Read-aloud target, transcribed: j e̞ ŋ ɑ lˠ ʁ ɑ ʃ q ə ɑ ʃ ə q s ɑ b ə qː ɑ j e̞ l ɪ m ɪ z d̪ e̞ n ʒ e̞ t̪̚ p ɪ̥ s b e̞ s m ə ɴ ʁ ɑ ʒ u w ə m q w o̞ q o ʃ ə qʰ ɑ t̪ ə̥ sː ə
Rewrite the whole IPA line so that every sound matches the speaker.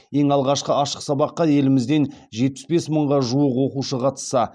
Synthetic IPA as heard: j e̞ ŋ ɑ lˠ ʁ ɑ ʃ q ə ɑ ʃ ə q s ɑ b ɑ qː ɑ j e̞ l ɪ m ɪ z d̪ e̞ n ʒ e̞ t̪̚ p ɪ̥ s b e̞ s m ə ɴ ʁ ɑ ʒ u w ə q w o̞ q u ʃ ə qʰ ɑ t̪ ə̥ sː ɑ